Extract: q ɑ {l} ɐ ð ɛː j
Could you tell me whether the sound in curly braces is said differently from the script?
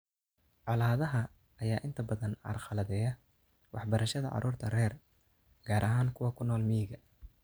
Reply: no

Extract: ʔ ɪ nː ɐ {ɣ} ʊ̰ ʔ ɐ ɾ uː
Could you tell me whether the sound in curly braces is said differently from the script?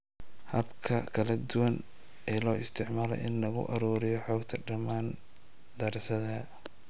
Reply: no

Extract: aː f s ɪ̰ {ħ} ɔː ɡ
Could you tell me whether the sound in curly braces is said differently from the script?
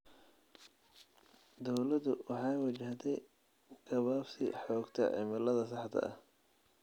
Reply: no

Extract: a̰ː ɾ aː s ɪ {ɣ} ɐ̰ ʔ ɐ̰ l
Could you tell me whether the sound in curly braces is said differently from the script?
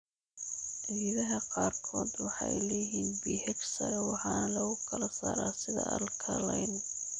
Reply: yes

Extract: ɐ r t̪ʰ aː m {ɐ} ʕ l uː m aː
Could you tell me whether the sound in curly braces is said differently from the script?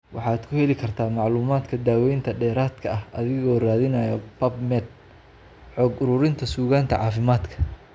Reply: yes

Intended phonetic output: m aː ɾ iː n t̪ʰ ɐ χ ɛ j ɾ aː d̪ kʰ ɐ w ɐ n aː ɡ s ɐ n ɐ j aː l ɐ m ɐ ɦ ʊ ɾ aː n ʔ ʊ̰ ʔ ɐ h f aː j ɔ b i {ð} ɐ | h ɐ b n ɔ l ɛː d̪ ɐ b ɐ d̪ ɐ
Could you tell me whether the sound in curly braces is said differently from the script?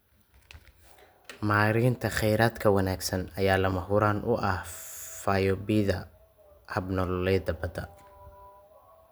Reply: no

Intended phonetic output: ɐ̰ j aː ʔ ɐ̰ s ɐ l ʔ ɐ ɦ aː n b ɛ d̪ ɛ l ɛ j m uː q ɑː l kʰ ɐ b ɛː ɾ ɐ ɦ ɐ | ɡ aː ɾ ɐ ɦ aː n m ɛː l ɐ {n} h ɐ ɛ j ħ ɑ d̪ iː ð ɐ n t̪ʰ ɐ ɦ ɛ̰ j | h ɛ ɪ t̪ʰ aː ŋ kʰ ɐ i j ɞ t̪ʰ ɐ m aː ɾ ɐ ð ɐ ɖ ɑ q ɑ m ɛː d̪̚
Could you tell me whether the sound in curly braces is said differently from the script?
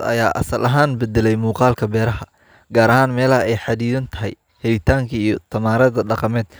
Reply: yes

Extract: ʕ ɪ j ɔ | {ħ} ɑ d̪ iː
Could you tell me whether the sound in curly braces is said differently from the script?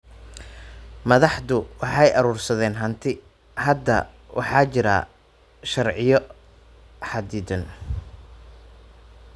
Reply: no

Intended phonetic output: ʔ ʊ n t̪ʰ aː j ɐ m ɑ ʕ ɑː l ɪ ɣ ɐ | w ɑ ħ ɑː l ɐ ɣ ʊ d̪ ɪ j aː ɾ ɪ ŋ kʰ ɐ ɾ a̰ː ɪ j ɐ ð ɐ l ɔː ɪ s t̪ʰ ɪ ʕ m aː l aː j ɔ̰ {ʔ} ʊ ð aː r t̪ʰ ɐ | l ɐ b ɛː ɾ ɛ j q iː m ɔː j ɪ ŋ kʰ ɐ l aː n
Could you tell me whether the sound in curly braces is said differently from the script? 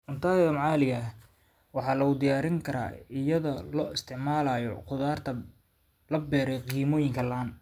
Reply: yes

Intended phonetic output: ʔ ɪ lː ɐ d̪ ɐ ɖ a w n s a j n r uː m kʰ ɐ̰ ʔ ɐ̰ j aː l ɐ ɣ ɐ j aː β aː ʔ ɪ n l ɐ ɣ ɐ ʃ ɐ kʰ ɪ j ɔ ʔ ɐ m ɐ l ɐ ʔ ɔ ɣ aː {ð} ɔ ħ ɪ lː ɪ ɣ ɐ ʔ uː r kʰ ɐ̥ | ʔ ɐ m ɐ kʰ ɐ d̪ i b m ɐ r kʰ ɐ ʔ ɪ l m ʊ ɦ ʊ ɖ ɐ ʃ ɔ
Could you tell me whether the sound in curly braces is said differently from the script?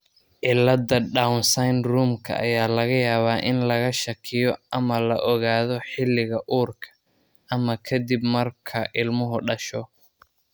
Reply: no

